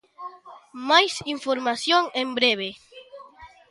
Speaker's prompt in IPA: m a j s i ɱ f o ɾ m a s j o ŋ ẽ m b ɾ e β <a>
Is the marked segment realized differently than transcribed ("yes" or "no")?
yes